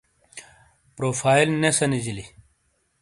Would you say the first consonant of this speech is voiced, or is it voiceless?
voiceless